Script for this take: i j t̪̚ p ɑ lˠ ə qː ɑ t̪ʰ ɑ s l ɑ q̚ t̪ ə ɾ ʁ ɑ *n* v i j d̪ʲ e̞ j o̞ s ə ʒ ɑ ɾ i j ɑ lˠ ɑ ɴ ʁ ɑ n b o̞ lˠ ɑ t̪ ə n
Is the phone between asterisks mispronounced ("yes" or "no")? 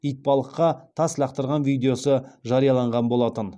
no